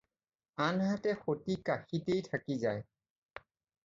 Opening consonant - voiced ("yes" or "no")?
yes